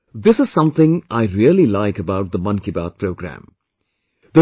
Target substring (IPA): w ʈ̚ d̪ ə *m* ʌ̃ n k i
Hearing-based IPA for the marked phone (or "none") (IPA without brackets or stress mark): m